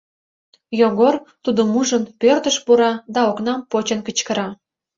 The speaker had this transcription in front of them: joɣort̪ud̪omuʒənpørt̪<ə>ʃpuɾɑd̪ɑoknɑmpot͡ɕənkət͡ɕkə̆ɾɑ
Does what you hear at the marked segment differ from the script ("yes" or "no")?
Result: no